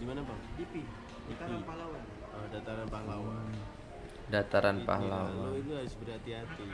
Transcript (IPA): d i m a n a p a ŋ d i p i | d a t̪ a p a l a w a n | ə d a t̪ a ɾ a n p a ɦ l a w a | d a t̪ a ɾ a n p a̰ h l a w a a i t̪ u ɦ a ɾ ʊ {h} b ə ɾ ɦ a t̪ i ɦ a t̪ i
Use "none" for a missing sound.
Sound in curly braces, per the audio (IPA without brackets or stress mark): s